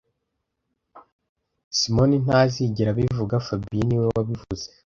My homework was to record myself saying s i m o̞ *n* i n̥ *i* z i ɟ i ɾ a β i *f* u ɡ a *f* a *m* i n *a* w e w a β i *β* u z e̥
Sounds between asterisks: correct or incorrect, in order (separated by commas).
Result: correct, incorrect, incorrect, correct, incorrect, incorrect, incorrect